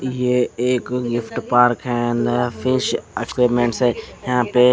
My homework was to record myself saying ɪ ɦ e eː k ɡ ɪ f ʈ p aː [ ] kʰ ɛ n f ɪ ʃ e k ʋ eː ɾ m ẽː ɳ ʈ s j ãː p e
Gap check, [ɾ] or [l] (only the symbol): ɾ